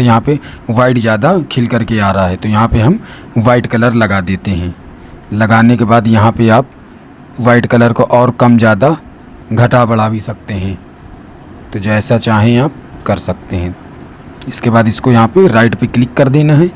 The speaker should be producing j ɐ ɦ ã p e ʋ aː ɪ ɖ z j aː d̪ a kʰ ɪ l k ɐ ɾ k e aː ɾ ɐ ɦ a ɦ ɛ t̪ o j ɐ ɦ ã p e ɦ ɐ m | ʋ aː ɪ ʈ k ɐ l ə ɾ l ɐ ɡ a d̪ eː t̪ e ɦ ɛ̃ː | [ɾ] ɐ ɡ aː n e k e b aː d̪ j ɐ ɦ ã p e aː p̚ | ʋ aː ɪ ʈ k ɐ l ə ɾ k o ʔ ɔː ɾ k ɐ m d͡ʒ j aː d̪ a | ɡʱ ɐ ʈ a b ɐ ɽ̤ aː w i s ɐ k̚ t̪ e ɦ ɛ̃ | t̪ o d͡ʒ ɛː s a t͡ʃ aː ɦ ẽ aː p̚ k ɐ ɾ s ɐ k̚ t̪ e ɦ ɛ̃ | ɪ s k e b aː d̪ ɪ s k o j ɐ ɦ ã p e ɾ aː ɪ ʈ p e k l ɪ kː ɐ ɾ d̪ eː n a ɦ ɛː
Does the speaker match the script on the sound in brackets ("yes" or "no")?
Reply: no